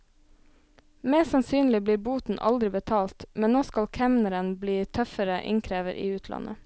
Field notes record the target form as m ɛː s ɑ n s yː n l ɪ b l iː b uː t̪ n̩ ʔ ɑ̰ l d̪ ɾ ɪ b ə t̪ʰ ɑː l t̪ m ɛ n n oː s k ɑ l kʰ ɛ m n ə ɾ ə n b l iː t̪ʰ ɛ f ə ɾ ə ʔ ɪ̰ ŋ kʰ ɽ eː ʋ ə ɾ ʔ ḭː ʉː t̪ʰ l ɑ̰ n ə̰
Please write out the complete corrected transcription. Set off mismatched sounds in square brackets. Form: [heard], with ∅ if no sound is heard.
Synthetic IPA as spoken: m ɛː s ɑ n s yː n l ɪ b l iː b uː t̪ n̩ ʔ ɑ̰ l d̪ ɾ ɪ b ə t̪ʰ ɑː l t̪ m ɛ n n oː s k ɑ l kʰ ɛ m n ə ɾ ə n b l iː t̪ʰ [œ] f ə ɾ ə ʔ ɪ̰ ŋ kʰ [ɾ] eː ʋ ə ɾ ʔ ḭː ʉː t̪ʰ l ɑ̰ n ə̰